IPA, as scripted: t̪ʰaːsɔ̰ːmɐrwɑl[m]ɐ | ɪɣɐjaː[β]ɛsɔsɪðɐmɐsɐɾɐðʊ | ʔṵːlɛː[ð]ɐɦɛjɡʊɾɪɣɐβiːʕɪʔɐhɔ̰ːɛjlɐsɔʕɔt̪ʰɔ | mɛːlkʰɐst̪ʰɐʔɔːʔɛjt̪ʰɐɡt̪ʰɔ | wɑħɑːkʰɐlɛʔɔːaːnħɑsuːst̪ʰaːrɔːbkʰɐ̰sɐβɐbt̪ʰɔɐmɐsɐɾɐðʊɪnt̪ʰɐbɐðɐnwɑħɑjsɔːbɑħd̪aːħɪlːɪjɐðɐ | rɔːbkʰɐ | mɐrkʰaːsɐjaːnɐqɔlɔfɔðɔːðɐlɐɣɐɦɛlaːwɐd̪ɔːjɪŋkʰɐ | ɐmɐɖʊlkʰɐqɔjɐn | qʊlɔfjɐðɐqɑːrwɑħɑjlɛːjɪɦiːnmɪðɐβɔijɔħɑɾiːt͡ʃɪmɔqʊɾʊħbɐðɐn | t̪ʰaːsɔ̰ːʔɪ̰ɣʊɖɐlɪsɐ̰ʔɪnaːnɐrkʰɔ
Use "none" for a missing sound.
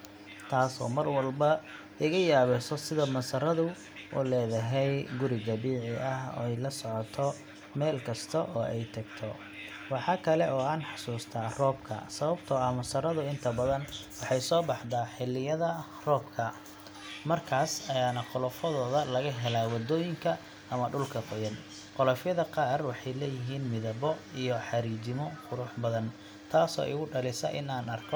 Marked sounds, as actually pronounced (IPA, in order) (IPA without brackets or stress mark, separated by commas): b, β, ð